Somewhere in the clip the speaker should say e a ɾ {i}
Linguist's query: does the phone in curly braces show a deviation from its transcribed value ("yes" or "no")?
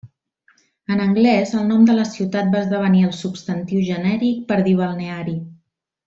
no